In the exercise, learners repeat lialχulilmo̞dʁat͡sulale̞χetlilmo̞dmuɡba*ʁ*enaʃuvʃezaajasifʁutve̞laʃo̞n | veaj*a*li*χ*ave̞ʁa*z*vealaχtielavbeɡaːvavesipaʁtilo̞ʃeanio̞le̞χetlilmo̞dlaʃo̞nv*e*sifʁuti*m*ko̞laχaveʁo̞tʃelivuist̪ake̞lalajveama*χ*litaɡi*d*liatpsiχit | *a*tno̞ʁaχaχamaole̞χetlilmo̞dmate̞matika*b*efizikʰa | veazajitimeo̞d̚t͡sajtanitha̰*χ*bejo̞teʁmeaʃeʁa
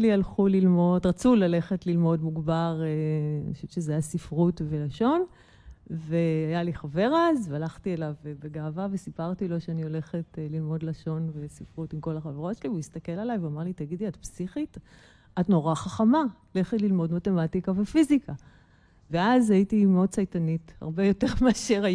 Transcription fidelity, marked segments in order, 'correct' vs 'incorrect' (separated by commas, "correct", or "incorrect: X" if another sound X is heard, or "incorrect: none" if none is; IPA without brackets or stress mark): correct, correct, correct, correct, correct, correct, incorrect: ʁ, correct, correct, incorrect: v, incorrect: ʁ